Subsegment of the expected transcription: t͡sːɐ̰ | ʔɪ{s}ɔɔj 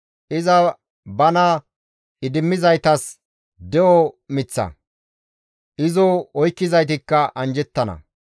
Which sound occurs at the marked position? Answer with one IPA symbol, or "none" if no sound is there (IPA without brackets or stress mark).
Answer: z